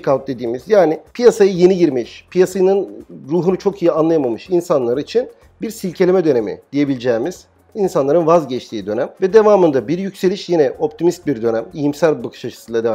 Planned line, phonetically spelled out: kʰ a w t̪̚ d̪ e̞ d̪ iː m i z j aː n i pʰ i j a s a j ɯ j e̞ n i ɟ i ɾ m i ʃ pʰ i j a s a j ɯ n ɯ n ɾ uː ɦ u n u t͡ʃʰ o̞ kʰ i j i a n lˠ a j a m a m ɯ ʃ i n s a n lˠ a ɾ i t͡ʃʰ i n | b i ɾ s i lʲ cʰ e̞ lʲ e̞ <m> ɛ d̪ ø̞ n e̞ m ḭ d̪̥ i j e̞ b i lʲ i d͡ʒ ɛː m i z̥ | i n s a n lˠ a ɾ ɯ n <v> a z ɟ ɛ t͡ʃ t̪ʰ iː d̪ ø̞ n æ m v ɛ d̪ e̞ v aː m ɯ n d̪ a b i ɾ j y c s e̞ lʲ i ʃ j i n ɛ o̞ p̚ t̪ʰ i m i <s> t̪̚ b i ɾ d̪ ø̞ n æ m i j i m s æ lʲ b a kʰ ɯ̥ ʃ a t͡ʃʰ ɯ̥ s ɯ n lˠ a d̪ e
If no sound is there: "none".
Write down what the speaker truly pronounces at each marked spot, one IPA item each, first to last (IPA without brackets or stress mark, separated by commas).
m, v, s